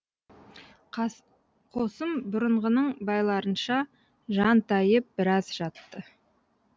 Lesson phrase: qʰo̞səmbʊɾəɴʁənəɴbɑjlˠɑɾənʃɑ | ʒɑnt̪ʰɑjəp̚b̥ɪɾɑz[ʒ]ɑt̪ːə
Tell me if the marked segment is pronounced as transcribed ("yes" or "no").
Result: yes